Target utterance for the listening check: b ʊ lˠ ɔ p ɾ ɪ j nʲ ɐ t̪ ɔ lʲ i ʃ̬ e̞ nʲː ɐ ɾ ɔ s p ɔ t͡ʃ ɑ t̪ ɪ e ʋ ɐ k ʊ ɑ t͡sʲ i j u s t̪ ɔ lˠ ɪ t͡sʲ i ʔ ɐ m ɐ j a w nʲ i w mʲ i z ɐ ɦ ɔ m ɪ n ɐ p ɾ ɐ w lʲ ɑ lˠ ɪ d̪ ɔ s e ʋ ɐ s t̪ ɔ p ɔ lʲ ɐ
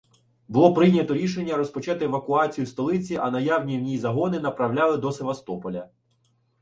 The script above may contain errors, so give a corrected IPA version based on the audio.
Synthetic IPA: b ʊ lˠ ɔ p ɾ ɪ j nʲ ɐ t̪ ɔ ɾʲ i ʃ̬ e̞ nʲː ɐ ɾ ɔ s p ɔ t͡ʃ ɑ t̪ ɪ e ʋ ɐ k ʊ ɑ t͡sʲ i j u s t̪ ɔ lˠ ɪ t͡sʲ i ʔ ɐ n ɐ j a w nʲ i w nʲ i z ɐ ɦ ɔ n ɪ n ɐ p ɾ ɐ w lʲ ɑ lˠ ɪ d̪ ɔ s e ʋ ɐ s t̪ ɔ p ɔ lʲ ɐ